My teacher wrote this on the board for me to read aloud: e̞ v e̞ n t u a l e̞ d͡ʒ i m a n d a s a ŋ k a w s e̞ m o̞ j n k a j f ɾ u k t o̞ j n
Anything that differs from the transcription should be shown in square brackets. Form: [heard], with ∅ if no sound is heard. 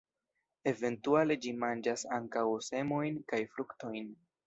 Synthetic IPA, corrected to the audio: e̞ v e̞ n t u a l e̞ d͡ʒ i m a n [d͡ʒ] a s a ŋ k a w s e̞ m o̞ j n k a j f ɾ u k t o̞ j n